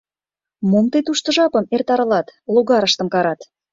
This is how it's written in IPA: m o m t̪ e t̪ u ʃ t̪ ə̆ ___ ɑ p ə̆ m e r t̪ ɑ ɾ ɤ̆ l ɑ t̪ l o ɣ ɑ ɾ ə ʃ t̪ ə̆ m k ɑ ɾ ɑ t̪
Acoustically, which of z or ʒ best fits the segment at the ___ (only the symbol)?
ʒ